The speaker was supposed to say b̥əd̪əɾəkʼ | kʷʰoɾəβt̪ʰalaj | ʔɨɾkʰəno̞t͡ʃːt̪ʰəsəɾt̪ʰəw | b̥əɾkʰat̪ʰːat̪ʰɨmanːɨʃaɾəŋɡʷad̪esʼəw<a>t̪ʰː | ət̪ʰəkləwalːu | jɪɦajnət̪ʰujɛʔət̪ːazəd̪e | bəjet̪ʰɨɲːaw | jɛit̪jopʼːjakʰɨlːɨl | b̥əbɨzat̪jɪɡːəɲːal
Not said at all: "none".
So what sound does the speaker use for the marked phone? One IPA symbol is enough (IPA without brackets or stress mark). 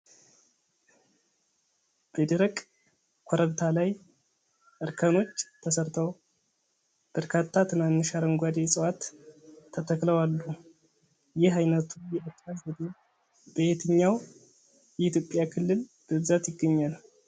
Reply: a